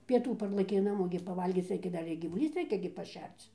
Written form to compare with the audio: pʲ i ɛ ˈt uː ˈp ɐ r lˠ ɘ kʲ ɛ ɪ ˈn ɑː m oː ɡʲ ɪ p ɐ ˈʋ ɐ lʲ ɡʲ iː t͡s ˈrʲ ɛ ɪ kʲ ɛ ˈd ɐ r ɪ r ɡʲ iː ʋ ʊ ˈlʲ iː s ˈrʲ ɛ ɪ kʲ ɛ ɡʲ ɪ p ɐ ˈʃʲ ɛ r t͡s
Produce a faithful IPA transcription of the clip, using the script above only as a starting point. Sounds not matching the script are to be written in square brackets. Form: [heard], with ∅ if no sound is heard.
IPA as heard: pʲ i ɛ ˈt uː ˈp ɐ r lˠ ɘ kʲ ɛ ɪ ˈn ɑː m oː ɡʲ ɪ p ɐ ˈʋ ɐ lʲ ɡʲ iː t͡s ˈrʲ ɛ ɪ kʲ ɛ ˈd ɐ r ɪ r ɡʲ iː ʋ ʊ ˈlʲ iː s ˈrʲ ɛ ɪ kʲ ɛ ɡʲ ɪ p ɐ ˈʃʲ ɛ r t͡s